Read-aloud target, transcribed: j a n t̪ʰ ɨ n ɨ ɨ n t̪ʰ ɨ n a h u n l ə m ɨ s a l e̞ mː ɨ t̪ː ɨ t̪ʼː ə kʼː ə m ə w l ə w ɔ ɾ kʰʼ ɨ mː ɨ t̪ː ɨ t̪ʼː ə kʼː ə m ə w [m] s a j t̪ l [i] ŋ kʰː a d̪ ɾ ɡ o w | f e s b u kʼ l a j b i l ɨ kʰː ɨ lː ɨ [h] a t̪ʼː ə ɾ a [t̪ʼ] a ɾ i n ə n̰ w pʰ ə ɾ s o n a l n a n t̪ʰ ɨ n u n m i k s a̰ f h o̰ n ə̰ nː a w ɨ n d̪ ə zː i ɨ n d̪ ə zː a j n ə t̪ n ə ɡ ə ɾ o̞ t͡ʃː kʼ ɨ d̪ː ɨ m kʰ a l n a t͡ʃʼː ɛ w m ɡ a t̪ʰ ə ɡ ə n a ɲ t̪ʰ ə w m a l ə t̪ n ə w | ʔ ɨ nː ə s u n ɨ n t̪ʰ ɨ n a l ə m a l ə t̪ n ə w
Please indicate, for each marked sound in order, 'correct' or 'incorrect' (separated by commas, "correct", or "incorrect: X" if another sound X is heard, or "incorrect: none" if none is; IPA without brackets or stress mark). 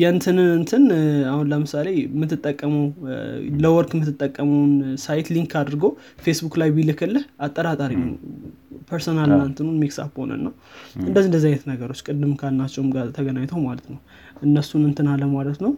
incorrect: n, correct, correct, correct